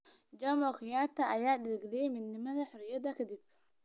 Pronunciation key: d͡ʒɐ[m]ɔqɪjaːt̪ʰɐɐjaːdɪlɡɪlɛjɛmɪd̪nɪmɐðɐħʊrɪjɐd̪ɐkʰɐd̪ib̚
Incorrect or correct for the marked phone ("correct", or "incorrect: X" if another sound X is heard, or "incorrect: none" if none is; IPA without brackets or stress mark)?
correct